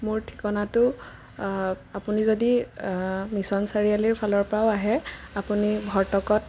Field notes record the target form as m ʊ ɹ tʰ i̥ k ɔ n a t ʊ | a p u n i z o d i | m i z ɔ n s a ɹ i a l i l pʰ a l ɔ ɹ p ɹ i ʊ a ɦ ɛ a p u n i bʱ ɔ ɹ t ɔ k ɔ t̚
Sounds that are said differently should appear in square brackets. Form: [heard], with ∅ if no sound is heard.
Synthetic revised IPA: m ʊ ɹ tʰ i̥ k ɔ n a t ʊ | a p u n i z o d i | m i [s] ɔ n s a ɹ i a l i [ɹ] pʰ a l ɔ ɹ p ɹ [a] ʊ a ɦ ɛ a p u n i bʱ ɔ ɹ t ɔ k ɔ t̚